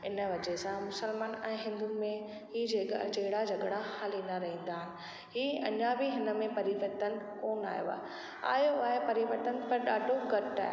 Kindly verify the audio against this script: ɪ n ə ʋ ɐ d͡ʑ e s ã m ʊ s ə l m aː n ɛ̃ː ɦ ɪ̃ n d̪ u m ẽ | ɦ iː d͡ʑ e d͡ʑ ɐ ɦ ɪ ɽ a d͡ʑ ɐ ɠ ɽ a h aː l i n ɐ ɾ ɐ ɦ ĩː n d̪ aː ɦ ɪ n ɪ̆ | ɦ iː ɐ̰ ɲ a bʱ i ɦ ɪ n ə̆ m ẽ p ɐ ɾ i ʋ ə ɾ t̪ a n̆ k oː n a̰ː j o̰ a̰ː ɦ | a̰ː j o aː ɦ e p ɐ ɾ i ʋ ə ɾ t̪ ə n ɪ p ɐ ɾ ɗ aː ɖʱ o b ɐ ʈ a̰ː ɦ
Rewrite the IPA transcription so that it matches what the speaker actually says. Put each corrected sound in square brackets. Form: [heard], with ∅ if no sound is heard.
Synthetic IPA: ɪ n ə ʋ ɐ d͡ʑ e s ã m ʊ s ə l m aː n ɛ̃ː ɦ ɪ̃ n d̪ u m ẽ | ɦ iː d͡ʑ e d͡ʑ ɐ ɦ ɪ ɽ a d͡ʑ ɐ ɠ ɽ a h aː l i n ɐ ɾ ɐ ɦ ĩː n d̪ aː ɦ ɪ n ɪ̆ | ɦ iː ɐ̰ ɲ a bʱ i ɦ ɪ n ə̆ m ẽ p ɐ ɾ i ʋ ə ɾ t̪ [ə] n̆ k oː n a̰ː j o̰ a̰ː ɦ | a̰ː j o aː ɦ e p ɐ ɾ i ʋ ə ɾ t̪ ə n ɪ p ɐ ɾ ɗ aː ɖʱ o [ɡ] ɐ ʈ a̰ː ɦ